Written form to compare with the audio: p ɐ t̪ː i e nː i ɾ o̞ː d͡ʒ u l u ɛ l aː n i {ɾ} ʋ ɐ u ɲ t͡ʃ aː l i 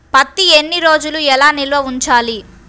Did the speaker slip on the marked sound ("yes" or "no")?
yes